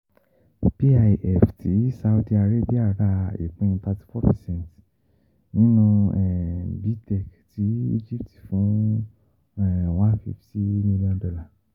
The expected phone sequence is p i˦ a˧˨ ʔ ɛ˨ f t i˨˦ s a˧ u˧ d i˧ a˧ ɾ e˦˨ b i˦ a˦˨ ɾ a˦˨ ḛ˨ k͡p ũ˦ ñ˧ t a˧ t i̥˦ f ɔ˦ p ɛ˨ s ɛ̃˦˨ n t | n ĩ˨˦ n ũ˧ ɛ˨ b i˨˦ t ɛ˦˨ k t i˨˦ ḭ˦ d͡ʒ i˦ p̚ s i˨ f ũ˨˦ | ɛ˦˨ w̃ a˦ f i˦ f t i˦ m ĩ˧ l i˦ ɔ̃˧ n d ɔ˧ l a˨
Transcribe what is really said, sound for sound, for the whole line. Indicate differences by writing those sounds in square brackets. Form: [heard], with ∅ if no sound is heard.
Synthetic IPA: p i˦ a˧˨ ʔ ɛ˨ f t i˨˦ s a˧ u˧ d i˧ a˧ ɾ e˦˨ b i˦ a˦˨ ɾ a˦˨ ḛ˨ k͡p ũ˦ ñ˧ t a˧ t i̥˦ f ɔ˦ p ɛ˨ s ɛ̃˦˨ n t | n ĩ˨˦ n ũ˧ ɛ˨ b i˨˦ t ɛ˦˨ k t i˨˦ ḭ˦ d͡ʒ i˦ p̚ [t] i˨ f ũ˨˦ | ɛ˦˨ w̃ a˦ f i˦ f t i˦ m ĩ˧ l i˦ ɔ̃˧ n d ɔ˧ l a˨